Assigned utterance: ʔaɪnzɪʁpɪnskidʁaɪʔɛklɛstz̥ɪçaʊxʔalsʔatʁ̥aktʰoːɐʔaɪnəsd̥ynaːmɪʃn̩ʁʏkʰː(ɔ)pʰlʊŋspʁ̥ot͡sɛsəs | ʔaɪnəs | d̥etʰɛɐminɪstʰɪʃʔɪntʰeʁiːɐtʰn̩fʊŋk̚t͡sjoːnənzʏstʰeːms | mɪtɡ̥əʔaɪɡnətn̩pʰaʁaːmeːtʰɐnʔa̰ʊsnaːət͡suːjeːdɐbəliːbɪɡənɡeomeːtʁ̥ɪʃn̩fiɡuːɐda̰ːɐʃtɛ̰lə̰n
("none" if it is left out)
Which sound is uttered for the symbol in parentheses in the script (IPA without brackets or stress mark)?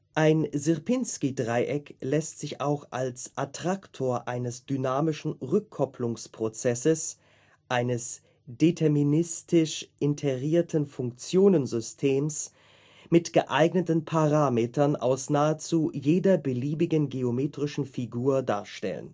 ɔ